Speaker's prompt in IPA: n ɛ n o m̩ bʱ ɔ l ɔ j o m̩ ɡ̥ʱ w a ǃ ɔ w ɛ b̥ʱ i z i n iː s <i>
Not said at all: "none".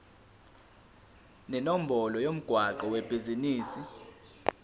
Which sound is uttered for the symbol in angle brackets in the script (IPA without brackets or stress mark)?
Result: i